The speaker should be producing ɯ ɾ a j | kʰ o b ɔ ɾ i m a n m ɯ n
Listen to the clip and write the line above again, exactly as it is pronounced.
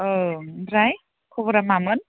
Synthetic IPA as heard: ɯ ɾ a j | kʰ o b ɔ ɾ a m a m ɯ n